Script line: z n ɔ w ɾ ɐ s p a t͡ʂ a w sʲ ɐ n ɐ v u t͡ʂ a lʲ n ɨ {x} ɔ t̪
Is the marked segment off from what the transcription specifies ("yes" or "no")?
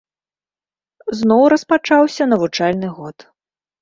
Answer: yes